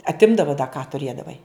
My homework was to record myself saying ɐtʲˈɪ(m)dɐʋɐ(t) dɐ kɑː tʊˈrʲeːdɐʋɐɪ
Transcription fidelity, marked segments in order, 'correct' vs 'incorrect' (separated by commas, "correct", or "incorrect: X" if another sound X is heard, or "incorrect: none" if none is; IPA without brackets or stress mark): correct, incorrect: none